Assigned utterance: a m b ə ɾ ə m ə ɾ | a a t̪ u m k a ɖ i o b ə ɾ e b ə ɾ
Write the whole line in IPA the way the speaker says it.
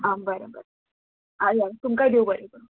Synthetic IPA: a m b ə ɾ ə b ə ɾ | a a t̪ u m k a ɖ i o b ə ɾ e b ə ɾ